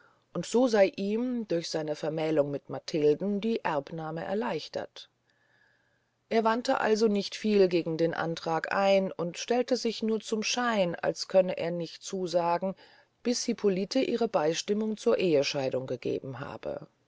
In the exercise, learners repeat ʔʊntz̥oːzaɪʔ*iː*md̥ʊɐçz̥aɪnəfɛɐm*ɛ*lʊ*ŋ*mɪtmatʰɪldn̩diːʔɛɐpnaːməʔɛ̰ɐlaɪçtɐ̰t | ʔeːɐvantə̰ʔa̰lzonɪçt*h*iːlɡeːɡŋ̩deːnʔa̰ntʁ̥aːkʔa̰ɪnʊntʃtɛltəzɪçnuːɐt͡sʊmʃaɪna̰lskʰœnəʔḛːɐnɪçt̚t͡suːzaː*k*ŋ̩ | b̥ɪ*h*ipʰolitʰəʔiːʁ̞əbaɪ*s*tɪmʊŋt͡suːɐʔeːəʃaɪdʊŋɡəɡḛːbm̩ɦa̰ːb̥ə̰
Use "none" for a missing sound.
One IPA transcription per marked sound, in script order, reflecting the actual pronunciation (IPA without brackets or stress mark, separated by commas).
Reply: iː, ɛː, ŋ, f, ɡ, s, ʃ